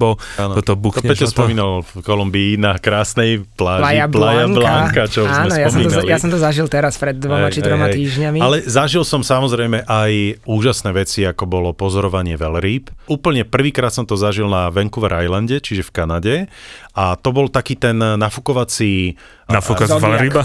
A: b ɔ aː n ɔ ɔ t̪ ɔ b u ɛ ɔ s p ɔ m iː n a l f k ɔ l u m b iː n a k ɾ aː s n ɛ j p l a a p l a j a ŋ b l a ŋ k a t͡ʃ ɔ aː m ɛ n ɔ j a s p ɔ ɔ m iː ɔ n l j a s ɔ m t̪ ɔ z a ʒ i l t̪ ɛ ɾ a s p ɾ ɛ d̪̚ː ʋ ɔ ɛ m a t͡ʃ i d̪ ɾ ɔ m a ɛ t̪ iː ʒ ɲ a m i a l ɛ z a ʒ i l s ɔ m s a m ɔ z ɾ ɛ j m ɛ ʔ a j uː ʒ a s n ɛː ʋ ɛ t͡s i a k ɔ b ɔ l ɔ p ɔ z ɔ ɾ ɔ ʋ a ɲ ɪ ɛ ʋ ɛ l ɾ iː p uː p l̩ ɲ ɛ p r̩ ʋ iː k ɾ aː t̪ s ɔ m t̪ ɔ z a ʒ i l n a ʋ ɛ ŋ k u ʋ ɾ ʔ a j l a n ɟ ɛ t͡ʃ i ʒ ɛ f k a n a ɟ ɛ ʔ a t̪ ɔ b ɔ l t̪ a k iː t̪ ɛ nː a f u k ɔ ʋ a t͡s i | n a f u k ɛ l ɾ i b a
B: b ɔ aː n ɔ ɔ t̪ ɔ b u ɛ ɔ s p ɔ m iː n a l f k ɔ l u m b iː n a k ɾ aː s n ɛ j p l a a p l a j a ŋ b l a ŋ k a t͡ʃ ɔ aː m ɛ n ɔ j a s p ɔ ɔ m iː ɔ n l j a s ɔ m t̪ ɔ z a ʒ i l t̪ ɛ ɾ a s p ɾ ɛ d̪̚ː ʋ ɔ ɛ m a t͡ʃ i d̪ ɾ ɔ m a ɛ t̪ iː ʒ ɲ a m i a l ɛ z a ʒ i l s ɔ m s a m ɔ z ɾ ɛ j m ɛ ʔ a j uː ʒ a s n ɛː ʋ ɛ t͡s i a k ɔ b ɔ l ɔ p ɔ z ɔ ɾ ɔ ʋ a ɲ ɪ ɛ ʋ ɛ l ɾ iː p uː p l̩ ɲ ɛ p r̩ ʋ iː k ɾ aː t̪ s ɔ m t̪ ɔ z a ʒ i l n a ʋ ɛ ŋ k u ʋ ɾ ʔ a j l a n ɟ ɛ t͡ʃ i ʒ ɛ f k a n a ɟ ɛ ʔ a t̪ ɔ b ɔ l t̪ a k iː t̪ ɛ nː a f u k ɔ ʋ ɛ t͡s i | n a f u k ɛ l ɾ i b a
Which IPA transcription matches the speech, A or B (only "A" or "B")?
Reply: A